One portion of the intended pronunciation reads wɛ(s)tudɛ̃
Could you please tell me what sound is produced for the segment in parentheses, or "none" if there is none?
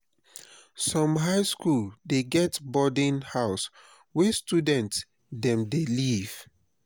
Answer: s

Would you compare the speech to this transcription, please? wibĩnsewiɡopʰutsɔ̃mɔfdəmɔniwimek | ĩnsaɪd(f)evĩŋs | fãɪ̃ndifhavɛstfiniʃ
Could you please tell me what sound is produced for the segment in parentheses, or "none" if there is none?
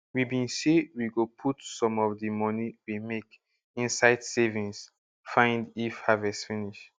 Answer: s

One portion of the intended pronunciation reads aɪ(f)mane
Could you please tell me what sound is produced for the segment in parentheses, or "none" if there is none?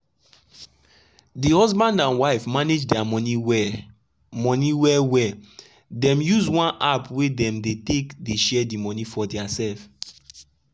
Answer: f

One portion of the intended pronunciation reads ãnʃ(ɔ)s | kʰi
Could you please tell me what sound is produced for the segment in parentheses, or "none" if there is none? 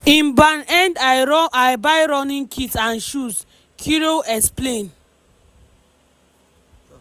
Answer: u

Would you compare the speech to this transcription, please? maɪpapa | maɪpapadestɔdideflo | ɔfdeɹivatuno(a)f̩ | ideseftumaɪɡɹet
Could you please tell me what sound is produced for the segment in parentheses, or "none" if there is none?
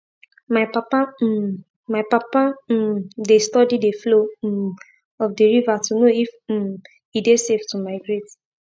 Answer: i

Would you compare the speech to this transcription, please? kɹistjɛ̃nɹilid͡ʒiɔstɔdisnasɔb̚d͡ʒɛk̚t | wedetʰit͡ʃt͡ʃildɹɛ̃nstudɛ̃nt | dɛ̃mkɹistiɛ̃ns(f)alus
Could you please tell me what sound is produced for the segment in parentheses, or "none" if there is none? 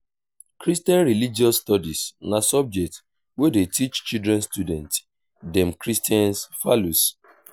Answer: f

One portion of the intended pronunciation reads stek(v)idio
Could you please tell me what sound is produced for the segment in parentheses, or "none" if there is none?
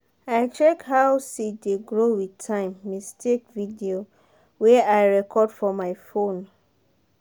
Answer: v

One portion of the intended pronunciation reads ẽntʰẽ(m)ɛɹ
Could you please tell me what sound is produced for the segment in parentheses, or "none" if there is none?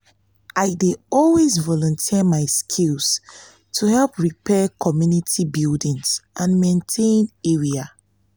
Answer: n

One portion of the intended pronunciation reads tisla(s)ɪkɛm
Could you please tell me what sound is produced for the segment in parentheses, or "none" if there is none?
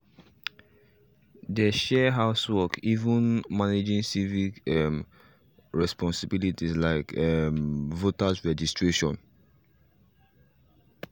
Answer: none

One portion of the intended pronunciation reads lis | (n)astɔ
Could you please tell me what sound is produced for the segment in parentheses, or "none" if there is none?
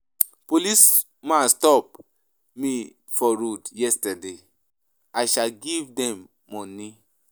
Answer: m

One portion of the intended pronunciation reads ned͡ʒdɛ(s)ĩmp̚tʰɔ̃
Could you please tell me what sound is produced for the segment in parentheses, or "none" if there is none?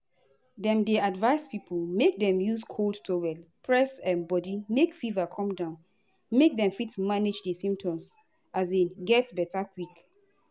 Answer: s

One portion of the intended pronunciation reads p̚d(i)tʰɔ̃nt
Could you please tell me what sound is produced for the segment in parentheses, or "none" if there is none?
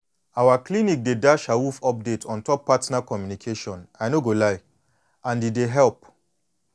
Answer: e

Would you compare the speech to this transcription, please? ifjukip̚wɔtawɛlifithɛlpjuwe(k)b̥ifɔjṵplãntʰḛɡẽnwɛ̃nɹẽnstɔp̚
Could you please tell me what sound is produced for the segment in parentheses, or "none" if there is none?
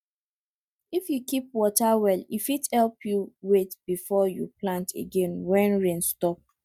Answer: t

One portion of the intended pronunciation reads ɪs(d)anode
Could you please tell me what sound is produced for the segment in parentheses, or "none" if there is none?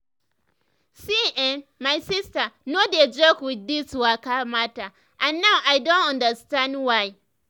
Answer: t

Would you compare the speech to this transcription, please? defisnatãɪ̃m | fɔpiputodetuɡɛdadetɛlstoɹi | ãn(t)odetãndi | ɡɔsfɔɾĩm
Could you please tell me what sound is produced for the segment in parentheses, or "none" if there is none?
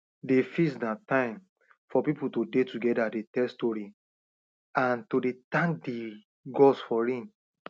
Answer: t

